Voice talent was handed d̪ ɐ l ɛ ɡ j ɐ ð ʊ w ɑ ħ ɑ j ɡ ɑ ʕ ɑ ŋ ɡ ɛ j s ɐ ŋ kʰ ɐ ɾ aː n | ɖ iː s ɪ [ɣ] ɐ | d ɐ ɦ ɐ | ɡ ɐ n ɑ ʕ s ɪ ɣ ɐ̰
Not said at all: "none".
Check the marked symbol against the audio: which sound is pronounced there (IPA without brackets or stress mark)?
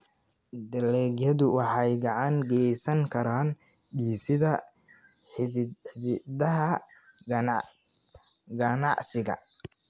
ð